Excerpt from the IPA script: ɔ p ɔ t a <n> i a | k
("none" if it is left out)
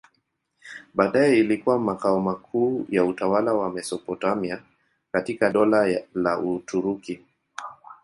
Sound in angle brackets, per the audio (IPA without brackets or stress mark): m